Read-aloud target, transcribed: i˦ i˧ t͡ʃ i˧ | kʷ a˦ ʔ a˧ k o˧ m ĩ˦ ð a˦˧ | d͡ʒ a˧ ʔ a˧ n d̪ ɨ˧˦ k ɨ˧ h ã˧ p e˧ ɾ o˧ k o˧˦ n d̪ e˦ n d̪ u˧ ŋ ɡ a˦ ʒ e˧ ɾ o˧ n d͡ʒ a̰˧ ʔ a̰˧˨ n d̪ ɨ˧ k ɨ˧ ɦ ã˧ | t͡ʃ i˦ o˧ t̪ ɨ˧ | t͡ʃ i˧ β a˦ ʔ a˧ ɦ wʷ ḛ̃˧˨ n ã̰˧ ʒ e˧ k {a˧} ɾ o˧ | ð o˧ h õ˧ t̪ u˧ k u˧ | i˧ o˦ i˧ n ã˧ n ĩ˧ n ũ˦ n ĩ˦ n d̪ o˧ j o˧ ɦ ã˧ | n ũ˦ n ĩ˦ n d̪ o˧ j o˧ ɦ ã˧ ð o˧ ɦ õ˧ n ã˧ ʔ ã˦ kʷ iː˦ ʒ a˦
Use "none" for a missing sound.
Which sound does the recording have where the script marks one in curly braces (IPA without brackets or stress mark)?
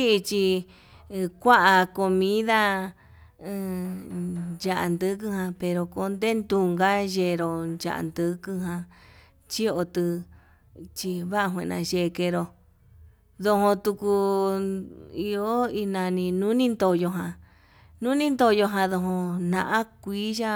e˧